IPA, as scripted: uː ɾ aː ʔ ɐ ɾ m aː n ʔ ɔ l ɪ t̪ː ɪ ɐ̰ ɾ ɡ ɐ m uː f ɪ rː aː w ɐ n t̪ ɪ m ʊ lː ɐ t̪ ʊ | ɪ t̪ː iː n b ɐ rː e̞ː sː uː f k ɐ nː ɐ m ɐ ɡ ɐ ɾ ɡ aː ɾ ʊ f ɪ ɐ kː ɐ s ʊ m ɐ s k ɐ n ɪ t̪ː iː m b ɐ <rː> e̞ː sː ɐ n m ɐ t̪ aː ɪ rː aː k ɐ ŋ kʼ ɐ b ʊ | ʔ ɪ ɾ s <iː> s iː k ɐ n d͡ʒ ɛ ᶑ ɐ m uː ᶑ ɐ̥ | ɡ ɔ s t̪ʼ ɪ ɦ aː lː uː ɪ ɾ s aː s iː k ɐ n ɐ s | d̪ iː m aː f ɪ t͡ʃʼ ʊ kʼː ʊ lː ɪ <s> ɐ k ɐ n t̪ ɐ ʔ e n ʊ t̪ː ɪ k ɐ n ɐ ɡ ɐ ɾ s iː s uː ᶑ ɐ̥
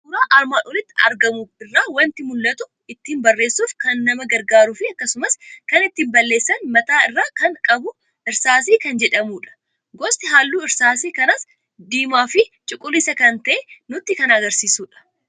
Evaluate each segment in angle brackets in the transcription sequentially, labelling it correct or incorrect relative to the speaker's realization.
incorrect: lː, incorrect: aː, correct

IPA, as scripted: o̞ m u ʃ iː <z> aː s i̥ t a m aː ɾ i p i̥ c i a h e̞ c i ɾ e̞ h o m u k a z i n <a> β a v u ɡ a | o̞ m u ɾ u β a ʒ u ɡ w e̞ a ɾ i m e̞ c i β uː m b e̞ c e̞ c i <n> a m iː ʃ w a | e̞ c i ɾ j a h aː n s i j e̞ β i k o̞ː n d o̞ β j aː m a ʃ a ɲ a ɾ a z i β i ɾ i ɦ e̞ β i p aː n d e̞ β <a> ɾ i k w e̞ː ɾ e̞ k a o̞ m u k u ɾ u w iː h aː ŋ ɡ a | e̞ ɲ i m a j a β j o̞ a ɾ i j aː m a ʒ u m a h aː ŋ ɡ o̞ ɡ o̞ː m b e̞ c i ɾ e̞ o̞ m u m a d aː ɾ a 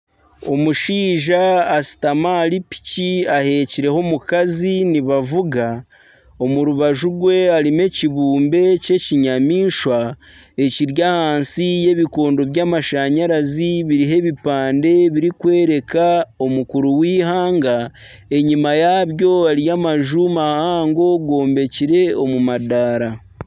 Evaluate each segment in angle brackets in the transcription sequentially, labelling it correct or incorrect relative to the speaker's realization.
incorrect: ʒ, incorrect: i, incorrect: ɲ, incorrect: i

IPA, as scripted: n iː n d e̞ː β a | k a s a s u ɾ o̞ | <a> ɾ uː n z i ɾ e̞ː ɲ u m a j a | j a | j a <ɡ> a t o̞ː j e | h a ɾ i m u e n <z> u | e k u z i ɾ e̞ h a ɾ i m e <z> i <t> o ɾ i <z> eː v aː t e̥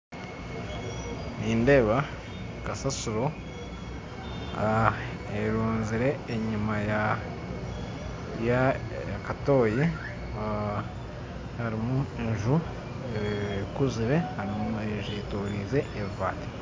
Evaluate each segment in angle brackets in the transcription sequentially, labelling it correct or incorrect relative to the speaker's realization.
incorrect: e, incorrect: k, incorrect: ʒ, incorrect: ʒ, correct, correct

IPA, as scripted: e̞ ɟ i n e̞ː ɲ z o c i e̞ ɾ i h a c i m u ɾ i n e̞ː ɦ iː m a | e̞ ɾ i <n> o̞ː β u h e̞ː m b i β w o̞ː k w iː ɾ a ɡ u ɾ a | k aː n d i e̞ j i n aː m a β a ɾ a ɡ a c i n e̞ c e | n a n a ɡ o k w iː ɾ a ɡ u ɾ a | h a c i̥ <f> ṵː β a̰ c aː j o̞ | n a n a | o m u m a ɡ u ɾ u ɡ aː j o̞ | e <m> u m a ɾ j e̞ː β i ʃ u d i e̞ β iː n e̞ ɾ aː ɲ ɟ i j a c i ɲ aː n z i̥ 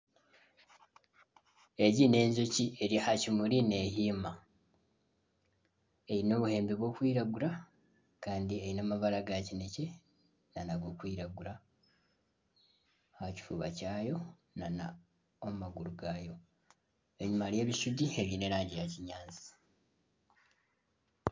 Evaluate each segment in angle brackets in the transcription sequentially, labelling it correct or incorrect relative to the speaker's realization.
correct, correct, incorrect: ɲ

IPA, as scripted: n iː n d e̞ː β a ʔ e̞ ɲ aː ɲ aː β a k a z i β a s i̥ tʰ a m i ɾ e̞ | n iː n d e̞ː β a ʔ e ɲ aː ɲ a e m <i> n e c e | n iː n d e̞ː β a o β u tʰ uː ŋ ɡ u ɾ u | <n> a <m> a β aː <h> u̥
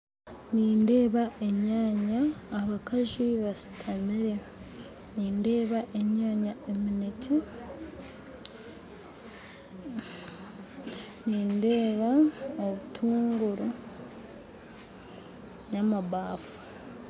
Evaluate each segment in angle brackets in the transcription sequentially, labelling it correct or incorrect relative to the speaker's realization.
correct, incorrect: ɲ, correct, incorrect: f

